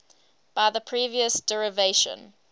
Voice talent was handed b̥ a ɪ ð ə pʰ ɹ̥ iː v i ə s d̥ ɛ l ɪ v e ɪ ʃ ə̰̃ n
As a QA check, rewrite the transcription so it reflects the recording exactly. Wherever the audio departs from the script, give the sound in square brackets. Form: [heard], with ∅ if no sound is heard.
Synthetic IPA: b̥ a ɪ ð ə pʰ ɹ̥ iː v i ə s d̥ ɛ [ɹ] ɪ v e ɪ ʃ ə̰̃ n

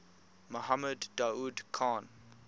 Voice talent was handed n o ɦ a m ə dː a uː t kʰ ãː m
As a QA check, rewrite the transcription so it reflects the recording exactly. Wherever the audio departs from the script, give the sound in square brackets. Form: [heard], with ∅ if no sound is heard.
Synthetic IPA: [m] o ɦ a m ə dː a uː [d] kʰ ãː [n]

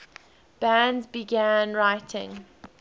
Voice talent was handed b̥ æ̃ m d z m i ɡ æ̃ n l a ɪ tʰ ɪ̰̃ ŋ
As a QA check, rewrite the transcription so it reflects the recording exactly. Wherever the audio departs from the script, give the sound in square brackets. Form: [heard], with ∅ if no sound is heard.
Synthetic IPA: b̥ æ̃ [n] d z [b] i ɡ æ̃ n [ɹ] a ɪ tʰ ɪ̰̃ ŋ

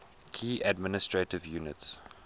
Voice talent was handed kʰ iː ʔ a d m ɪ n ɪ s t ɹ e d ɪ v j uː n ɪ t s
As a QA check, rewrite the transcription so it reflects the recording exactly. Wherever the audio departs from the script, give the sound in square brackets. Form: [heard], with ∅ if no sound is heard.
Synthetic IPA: kʰ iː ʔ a d m ɪ n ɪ s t ɹ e [t] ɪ v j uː n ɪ t s

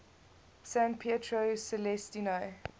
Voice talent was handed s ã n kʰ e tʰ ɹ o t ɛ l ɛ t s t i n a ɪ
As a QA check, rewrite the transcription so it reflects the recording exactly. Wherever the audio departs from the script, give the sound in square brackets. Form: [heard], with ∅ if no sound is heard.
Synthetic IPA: s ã n [pʰ] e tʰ ɹ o [s] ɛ l ɛ [∅] s t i n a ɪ

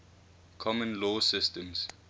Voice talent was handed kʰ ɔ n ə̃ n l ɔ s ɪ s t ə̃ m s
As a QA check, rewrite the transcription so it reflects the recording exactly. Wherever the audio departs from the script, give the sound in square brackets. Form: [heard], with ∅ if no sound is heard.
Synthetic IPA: kʰ ɔ [m] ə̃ n l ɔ s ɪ s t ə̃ m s

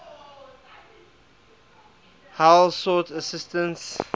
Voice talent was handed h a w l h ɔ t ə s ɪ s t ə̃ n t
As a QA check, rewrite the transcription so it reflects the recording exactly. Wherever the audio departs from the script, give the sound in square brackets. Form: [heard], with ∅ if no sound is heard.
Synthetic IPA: h a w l [s] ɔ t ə s ɪ s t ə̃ n [s]

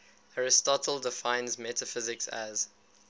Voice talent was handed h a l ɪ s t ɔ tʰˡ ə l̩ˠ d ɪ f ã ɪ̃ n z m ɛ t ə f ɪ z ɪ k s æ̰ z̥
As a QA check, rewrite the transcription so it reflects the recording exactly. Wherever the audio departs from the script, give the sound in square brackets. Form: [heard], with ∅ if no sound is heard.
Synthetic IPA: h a [ɹ] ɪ s t ɔ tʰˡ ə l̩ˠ d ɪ f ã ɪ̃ n z m ɛ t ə f ɪ z ɪ k s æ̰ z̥

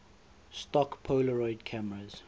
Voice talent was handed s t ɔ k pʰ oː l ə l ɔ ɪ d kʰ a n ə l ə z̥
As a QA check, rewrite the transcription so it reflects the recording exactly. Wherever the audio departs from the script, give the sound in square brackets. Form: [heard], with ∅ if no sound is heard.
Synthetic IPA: s t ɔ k pʰ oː l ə [ɹ] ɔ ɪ d kʰ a [m] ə [ɹ] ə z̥

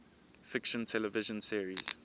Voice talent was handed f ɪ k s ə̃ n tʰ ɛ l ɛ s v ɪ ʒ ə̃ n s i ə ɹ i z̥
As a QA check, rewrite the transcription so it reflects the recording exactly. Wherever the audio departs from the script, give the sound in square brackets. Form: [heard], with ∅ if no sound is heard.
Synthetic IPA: f ɪ k [ʃ] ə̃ n tʰ ɛ l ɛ [∅] v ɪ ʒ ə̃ n s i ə ɹ i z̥

